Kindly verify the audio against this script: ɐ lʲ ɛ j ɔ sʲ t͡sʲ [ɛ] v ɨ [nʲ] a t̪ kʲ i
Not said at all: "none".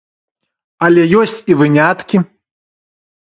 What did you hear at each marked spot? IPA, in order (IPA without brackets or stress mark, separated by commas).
i, nʲ